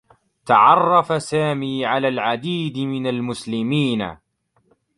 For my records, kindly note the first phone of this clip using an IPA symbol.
t̪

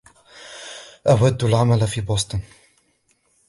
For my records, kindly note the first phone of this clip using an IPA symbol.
ʔ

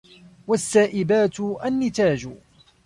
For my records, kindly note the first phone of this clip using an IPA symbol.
w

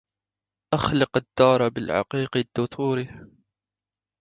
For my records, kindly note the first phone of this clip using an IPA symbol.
ʔ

